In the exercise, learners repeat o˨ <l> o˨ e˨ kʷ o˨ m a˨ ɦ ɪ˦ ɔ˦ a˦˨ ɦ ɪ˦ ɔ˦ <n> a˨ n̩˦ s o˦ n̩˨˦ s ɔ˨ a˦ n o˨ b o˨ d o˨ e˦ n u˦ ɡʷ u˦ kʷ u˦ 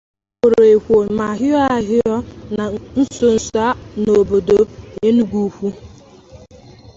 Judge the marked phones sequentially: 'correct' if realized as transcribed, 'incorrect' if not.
incorrect, correct

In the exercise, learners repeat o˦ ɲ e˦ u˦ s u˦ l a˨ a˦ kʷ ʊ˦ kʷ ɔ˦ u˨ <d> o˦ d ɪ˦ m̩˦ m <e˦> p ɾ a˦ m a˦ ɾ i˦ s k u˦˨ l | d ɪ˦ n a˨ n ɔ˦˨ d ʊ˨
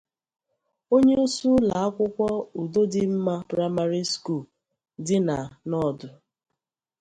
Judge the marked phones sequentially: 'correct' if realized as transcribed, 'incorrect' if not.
correct, incorrect

